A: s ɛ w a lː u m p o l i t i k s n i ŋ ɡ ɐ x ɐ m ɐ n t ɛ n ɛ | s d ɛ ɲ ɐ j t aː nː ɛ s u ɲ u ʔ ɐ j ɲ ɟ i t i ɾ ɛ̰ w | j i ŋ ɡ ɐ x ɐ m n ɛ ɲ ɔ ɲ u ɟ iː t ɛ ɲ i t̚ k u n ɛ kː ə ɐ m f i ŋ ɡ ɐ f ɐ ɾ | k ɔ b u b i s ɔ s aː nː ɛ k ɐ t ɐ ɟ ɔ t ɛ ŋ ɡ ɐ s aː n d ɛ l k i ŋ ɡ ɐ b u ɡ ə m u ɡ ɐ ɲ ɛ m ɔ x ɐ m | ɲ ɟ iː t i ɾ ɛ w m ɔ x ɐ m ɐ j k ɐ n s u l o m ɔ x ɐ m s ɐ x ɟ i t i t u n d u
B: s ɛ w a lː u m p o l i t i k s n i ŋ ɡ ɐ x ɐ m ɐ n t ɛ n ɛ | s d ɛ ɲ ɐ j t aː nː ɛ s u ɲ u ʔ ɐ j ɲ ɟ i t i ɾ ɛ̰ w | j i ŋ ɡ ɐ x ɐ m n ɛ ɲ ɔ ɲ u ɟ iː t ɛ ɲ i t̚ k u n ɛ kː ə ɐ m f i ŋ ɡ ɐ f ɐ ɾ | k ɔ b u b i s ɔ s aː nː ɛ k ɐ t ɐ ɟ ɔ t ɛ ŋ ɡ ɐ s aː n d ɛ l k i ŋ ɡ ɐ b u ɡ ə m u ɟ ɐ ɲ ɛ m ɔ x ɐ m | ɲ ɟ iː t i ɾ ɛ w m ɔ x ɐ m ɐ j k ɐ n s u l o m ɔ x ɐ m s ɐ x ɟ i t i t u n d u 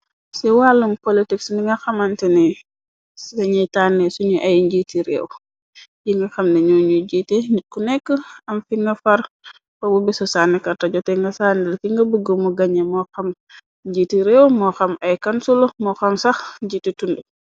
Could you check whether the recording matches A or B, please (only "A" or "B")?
A